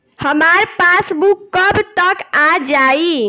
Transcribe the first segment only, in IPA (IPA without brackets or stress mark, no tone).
h